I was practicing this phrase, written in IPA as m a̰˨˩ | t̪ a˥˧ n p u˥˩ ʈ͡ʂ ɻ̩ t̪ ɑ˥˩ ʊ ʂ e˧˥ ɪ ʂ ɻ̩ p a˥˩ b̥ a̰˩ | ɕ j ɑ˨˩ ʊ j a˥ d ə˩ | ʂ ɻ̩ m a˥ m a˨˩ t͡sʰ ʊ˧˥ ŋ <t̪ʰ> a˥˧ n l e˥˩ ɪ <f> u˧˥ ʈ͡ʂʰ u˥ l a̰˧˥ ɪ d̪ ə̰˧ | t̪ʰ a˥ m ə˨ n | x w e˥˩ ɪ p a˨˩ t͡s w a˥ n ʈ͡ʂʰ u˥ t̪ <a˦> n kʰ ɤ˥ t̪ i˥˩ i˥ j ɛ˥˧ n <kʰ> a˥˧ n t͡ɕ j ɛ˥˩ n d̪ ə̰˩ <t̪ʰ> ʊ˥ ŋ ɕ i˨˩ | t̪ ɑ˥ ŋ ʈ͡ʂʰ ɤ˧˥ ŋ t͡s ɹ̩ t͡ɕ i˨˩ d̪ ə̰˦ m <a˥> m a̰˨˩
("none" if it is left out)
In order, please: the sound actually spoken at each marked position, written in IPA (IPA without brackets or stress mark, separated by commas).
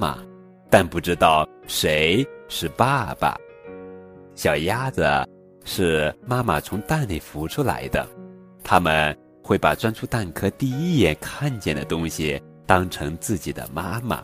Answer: t̪, f, a˥˩, kʰ, t̪, a˥